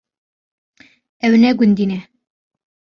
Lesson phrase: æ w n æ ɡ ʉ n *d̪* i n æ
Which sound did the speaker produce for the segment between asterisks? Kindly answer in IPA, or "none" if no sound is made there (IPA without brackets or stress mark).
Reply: d̪